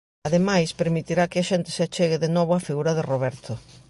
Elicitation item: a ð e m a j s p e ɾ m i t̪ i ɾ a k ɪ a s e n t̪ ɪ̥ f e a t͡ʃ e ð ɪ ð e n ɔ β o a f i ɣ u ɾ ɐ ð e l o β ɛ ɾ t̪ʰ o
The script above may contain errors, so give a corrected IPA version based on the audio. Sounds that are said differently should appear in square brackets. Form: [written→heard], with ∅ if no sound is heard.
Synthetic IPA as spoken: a ð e m a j s p e ɾ m i t̪ i ɾ a k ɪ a [s→ʃ] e n t̪ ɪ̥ [f→s] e a t͡ʃ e [ð→ɣ] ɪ ð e n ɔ β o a f i ɣ u ɾ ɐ ð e [l→r] o β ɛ ɾ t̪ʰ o